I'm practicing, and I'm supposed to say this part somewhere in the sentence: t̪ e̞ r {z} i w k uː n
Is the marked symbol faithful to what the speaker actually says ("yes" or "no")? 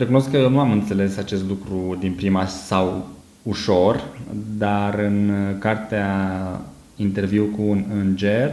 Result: no